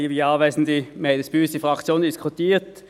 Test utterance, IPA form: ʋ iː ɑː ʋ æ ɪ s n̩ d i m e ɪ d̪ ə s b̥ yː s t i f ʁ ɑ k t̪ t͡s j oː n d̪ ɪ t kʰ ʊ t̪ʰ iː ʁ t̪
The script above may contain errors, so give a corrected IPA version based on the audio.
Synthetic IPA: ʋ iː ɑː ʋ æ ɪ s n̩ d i m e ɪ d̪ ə s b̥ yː s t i f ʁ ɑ k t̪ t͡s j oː n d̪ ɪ s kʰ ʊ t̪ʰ iː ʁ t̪